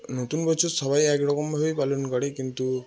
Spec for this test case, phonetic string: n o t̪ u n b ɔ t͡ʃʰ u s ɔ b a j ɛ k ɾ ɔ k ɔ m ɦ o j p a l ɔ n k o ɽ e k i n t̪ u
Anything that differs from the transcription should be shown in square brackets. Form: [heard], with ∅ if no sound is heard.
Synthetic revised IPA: n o t̪ u n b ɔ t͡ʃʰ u s ɔ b a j ɛ k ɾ ɔ k ɔ m ɦ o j p a l ɔ n k [ɔ] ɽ e k i n t̪ u